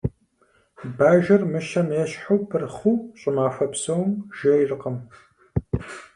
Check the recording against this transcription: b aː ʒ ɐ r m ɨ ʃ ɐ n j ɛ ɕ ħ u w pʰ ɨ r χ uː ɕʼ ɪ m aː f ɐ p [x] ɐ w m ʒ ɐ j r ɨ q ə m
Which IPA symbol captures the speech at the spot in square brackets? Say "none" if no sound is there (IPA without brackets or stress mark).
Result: s